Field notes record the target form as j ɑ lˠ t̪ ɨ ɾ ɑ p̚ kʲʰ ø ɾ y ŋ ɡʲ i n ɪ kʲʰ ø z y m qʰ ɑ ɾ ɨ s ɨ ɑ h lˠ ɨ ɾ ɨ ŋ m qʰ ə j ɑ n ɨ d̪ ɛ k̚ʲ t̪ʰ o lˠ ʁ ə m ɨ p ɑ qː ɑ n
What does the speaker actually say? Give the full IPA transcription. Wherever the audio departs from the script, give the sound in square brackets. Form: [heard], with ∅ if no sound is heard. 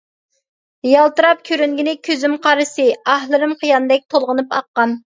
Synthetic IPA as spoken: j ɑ lˠ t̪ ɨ ɾ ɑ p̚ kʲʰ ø ɾ y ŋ ɡʲ i n ɪ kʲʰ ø z y m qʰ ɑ ɾ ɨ s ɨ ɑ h lˠ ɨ ɾ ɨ [∅] m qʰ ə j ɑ n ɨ d̪ ɛ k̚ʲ t̪ʰ o lˠ ʁ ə [n] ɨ p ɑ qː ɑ n